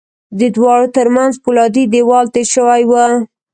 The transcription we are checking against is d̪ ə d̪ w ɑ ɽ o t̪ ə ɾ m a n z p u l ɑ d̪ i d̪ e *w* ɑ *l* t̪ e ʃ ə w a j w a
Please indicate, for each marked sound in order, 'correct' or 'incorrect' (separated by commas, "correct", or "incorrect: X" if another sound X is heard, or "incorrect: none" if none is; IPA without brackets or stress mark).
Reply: correct, correct